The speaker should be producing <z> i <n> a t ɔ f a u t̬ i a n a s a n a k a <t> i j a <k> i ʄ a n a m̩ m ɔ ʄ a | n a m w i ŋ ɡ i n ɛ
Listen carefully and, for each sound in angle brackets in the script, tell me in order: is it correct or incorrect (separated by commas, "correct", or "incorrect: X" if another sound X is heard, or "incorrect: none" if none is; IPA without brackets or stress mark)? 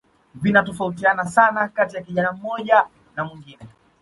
incorrect: v, correct, correct, correct